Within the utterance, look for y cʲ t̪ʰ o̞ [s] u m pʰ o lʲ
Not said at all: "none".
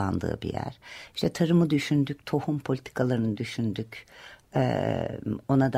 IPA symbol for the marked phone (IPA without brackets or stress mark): h